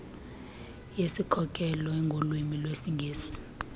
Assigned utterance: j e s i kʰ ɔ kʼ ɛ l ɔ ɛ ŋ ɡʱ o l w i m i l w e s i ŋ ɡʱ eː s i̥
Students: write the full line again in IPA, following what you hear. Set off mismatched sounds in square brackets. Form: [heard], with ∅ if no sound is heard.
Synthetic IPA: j e s i kʰ ɔ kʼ ɛ l ɔ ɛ ŋ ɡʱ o l w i m i l w e s i ŋ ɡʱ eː s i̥

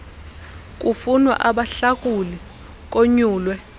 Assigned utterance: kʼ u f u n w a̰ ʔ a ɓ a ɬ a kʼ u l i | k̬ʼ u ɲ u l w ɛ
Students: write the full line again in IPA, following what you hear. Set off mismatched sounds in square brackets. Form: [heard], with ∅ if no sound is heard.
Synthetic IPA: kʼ u f u n w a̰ ʔ a ɓ a ɬ a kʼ u l i | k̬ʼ [o] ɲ [uː] l w ɛ

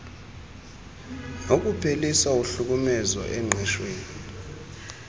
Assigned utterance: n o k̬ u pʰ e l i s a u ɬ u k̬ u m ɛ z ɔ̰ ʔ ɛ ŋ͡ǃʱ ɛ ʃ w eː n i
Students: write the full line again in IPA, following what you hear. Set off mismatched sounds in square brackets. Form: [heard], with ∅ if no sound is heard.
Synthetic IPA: n o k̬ u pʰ e l i s a u ɬ u k̬ u m ɛ z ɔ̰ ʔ ɛ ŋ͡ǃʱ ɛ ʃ w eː n i

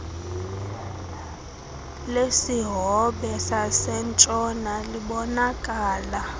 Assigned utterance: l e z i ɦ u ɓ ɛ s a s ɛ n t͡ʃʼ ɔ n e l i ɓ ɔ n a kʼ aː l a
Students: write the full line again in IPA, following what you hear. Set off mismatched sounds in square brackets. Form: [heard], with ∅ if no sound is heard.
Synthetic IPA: l e [s] i ɦ [ɔ] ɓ ɛ s a s ɛ n t͡ʃʼ ɔ n [a] l i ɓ ɔ n a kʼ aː l a

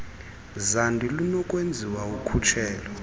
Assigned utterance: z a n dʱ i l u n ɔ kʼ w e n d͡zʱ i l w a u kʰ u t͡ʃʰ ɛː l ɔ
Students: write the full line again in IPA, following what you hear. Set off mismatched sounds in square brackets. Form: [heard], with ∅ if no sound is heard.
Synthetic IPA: z a n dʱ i l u n ɔ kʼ w e n d͡zʱ i [∅] w a u kʰ u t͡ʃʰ ɛː l ɔ

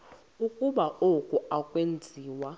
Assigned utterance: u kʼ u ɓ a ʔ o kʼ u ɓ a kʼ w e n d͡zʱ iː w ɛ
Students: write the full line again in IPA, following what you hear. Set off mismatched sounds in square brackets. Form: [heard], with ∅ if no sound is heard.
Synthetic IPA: u kʼ u ɓ a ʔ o kʼ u [∅] a kʼ w e n d͡zʱ iː w [a]

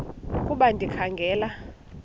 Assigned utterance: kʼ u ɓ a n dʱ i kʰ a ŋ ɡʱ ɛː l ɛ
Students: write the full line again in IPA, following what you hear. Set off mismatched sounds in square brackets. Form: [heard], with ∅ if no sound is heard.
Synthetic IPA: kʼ u ɓ a n dʱ i kʰ a ŋ ɡʱ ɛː l [a]

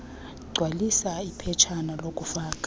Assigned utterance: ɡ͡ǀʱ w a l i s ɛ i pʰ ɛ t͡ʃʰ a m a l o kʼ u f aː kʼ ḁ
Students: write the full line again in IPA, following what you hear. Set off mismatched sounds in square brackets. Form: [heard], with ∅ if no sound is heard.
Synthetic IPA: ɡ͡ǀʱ w a l i s [a] i pʰ ɛ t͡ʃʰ a [n] a l o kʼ u f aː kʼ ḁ

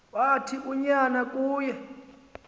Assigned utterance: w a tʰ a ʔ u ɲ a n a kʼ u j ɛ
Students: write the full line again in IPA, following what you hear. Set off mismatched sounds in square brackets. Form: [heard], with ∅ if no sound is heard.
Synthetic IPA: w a tʰ [i] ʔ u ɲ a n a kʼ [uː] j ɛ

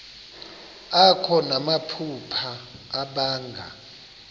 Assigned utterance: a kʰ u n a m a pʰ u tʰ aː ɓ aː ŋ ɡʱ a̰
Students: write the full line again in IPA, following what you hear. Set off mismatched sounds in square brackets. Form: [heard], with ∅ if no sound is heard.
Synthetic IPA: a kʰ [ɔ] n a m a pʰ u [pʰ] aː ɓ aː ŋ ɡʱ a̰

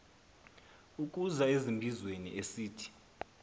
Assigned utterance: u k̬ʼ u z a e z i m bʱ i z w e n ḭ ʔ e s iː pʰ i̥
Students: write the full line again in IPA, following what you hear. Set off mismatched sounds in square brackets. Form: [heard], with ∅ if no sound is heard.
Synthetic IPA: u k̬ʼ u z a e z i m bʱ i z w e n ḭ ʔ e s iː [tʰ] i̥

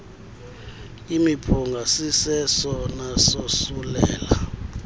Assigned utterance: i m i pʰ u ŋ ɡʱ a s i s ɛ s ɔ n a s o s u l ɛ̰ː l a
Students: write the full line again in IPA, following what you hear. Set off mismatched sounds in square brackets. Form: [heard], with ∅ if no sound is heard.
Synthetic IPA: i m i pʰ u ŋ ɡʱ a s i s ɛ s ɔ n a s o s u l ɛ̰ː l a

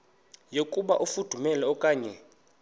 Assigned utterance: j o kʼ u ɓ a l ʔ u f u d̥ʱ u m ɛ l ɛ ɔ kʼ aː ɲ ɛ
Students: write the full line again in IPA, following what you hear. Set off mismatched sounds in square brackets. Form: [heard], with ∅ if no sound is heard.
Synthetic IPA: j o kʼ u ɓ a [∅] ʔ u f u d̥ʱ u m ɛ l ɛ ɔ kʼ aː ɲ ɛ

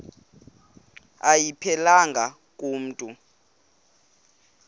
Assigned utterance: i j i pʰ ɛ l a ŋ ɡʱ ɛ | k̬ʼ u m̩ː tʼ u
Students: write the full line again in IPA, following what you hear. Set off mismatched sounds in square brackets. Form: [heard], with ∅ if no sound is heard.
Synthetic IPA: [a] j i pʰ ɛ l a ŋ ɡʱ [a] | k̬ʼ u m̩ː tʼ u

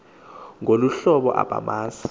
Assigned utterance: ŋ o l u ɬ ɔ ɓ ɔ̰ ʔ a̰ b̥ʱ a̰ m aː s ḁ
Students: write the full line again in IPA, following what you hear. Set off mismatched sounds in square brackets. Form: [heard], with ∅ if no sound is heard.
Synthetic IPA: ŋ o l u ɬ ɔ ɓ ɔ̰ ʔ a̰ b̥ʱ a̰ m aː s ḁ

